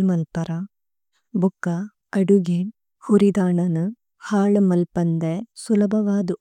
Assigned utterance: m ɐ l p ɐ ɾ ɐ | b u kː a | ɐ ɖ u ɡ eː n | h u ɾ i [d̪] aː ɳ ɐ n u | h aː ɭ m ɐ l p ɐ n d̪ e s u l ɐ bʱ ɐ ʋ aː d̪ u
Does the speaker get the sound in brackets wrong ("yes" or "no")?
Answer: no